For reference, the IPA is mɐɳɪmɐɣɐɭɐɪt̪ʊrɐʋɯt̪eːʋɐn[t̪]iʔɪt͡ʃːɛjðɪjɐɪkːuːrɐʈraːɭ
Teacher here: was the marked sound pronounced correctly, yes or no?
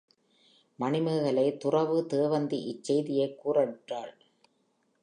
no